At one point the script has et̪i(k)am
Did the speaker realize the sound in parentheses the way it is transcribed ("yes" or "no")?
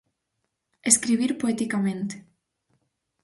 yes